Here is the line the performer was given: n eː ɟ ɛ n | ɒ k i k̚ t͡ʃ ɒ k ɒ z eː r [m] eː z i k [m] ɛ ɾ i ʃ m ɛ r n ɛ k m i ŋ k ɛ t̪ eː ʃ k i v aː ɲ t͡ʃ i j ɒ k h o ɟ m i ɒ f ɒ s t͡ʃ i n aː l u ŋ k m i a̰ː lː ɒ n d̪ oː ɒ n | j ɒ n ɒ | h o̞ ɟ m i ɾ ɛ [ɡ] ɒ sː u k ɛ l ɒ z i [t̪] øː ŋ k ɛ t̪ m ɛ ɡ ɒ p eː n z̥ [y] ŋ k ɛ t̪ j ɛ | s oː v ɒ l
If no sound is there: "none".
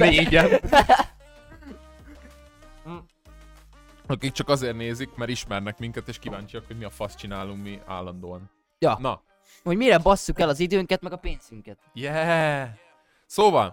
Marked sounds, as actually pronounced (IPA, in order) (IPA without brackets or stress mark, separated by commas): n, m, b, d̪, y